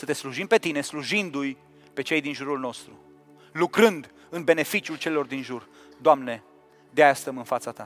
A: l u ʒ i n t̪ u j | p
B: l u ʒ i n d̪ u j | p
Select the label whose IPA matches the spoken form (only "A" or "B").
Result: B